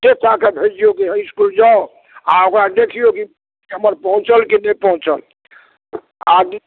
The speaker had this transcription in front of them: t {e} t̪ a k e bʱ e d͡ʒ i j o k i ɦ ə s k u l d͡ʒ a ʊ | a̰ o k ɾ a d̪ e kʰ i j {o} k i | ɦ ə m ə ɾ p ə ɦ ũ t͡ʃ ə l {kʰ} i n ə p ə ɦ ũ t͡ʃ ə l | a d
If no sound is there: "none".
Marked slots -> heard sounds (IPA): e, o, k

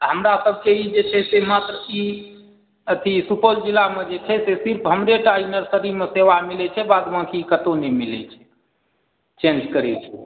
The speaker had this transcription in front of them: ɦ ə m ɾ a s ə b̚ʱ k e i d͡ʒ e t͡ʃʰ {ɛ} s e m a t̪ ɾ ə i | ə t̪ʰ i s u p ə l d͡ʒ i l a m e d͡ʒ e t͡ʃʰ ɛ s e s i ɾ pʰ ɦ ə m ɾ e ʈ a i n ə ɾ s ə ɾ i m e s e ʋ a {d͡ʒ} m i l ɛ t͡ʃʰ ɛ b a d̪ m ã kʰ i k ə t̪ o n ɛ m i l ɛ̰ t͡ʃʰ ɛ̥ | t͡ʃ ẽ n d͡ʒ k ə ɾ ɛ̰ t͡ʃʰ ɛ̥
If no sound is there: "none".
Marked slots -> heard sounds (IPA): ɛ, none

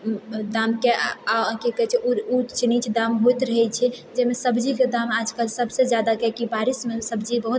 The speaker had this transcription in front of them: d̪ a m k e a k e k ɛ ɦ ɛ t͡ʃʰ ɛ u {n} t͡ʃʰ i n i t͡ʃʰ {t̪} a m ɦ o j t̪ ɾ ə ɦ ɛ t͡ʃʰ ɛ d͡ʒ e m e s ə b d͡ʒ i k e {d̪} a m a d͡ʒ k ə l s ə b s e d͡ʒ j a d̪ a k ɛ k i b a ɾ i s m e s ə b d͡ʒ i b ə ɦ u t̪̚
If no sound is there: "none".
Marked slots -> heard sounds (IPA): none, d̪, d̪

